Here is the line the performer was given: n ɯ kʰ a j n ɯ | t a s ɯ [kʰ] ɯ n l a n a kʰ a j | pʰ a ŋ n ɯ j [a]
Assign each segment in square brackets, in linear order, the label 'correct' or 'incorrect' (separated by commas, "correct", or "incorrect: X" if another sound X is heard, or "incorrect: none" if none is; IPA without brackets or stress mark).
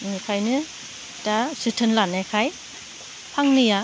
incorrect: tʰ, correct